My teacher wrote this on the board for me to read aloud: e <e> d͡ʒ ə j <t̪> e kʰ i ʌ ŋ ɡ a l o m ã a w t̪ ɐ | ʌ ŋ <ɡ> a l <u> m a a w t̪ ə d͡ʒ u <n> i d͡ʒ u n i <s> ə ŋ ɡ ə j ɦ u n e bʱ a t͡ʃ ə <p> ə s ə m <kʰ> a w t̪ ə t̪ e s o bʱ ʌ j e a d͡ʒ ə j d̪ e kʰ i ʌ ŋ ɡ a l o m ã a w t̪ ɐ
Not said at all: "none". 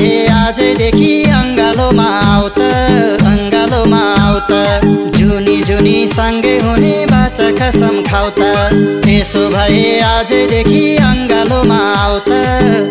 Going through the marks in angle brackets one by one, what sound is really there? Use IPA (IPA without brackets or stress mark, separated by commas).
a, d̪, ɡ, o, n, s, k, kʰ